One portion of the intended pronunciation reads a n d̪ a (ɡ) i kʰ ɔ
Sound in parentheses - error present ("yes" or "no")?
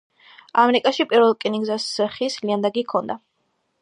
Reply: no